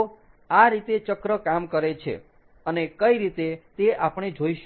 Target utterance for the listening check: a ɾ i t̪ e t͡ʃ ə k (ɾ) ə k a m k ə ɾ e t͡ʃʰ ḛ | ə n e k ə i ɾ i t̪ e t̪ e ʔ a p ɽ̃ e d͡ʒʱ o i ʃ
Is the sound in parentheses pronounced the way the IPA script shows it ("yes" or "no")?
yes